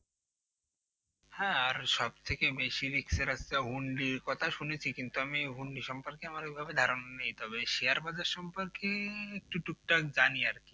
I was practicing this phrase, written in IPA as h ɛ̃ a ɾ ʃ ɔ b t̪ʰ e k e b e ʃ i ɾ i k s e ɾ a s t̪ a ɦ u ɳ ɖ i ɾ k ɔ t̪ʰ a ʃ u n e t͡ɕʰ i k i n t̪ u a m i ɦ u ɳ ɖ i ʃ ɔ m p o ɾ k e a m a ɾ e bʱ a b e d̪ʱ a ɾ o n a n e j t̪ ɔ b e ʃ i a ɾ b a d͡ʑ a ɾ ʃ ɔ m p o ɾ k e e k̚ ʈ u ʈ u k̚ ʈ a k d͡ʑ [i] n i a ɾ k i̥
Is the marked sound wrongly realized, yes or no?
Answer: yes